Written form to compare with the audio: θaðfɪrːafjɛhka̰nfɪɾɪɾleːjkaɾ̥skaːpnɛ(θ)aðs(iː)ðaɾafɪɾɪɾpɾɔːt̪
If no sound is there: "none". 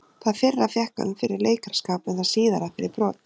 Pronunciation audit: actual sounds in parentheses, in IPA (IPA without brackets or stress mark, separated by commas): θ, iː